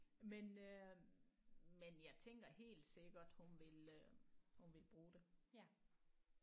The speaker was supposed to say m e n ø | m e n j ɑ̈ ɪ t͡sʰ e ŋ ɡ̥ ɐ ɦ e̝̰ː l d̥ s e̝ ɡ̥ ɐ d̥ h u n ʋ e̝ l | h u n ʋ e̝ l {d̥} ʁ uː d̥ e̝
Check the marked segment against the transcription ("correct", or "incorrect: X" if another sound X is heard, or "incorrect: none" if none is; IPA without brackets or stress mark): incorrect: b̥